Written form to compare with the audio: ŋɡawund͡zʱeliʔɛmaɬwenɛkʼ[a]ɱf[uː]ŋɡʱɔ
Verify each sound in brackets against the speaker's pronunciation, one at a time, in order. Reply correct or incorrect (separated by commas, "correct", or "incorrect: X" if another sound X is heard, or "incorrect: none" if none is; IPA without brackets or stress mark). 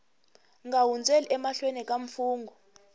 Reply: correct, correct